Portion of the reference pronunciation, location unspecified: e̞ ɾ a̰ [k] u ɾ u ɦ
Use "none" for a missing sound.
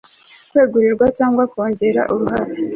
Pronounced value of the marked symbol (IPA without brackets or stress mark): ʔ